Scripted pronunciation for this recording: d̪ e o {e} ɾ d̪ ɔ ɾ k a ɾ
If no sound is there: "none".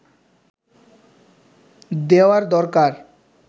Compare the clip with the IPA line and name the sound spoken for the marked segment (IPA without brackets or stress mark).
a